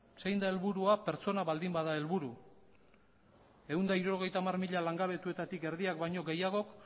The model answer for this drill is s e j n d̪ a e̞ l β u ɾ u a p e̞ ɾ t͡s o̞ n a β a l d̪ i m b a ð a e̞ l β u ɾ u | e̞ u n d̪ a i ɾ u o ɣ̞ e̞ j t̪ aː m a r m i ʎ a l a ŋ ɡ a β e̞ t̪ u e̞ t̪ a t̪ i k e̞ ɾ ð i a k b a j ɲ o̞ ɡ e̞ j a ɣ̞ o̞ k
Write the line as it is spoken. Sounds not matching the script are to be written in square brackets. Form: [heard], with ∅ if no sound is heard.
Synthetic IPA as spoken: s e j n d̪ a e̞ l β u ɾ u a p e̞ ɾ t͡s o̞ n a β a l d̪ i m b a ð a e̞ l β u ɾ u | e̞ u n d̪ a i ɾ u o ɣ̞ e̞ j t̪ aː m a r m i ʎ a l a ŋ ɡ a β e̞ t̪ u e̞ t̪ a t̪ i k e̞ ɾ ð i a k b a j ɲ o̞ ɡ e̞ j a ɣ̞ o̞ k